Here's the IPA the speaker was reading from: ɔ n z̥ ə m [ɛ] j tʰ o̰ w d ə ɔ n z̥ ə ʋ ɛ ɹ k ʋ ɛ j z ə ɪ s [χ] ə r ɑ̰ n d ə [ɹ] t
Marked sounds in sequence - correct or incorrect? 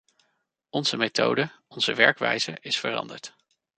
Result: incorrect: e, incorrect: f, correct

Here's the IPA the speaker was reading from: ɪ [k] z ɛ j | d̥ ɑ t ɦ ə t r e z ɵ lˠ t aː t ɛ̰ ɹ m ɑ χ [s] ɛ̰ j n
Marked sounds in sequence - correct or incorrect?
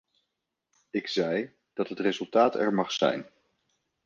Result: correct, correct

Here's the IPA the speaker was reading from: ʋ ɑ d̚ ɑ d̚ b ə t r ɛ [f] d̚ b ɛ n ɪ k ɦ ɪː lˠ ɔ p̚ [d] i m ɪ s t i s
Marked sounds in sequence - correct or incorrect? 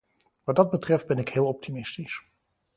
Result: correct, incorrect: t

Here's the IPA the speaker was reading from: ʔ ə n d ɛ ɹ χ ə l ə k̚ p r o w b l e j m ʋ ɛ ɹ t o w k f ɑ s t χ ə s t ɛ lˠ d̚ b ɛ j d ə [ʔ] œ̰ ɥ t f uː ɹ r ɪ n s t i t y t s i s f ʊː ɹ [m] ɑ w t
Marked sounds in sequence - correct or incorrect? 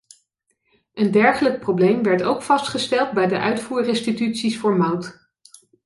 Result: correct, correct

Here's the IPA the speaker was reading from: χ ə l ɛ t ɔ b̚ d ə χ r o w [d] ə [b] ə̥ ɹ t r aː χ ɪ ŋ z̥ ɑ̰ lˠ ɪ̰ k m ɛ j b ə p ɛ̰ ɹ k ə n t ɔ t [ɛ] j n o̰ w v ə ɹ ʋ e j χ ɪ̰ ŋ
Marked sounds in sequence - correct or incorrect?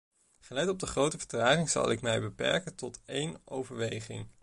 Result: incorrect: t, incorrect: v, incorrect: e

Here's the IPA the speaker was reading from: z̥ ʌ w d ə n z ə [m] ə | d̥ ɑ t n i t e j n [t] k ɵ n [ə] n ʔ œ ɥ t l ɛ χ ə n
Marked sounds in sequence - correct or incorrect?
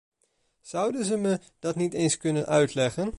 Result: correct, incorrect: s, correct

